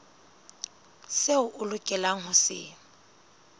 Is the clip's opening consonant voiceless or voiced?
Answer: voiceless